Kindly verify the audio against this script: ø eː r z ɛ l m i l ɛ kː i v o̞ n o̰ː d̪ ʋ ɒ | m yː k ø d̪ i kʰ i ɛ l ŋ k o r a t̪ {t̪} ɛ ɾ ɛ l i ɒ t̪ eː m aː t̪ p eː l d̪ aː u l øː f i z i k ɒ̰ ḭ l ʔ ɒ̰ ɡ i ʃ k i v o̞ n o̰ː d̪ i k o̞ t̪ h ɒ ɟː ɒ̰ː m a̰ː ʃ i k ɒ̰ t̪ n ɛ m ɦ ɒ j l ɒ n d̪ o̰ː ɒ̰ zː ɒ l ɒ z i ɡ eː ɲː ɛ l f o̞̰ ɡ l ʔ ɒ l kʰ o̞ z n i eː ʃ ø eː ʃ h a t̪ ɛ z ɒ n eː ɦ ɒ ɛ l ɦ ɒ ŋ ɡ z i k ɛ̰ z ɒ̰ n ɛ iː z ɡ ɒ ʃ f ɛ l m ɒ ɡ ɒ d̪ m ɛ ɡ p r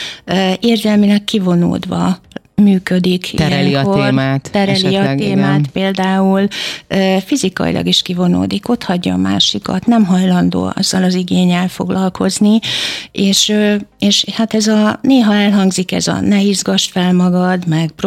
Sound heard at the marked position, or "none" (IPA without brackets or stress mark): t̪